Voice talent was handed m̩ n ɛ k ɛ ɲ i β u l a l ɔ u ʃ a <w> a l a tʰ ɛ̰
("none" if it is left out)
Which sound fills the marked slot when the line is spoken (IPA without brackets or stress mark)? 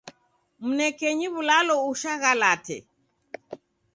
ɣ